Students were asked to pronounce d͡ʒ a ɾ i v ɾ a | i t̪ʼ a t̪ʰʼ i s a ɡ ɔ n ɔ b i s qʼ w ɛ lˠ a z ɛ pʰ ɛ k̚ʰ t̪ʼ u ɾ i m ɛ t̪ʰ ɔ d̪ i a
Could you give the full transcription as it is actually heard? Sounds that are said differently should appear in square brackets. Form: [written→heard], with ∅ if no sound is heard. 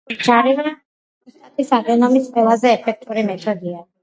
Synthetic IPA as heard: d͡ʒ a ɾ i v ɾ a | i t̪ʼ a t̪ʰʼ i s a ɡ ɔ n ɔ [b→m] i s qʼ w ɛ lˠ a z [ɛ→ɛː] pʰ ɛ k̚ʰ t̪ʼ u ɾ i m ɛ t̪ʰ ɔ d̪ i a